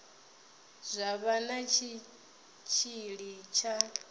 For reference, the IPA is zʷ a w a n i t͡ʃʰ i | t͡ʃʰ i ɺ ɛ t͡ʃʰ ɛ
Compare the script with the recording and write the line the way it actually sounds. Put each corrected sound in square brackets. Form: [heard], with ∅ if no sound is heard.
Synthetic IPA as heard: zʷ a [β] a n [a] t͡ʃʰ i | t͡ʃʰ i ɺ [i] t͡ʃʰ [a]